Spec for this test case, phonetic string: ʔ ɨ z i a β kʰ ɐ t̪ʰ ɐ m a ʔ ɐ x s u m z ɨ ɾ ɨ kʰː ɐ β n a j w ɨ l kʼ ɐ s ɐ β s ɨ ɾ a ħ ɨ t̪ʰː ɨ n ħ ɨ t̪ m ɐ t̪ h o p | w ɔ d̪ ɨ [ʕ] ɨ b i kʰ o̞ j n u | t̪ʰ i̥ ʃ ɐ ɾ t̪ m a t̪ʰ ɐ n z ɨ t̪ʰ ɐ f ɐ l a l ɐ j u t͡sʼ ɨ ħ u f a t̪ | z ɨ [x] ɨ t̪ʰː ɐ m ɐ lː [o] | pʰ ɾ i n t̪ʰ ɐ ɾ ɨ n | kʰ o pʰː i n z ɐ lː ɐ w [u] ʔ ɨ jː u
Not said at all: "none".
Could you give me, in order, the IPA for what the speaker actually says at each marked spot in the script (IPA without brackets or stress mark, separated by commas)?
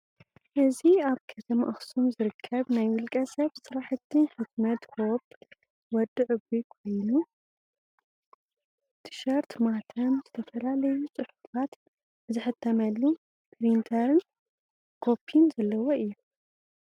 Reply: ʕ, ħ, u, o